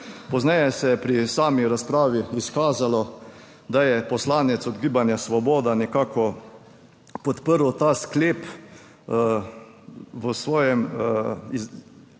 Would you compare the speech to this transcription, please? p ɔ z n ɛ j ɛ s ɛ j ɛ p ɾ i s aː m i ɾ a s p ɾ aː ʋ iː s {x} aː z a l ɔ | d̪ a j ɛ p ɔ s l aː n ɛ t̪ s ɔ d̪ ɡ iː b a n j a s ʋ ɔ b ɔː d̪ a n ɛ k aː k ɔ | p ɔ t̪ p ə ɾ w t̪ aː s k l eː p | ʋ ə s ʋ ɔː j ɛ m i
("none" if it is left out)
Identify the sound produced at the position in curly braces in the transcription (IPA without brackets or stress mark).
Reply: k